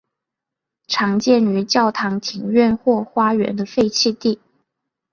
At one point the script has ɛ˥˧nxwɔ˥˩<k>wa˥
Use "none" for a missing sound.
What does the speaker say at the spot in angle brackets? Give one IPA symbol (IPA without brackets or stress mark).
x